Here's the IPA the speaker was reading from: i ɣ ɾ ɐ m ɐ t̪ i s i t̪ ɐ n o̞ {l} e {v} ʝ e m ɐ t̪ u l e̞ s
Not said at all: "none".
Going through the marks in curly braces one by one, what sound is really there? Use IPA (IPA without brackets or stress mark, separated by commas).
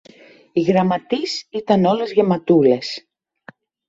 l, z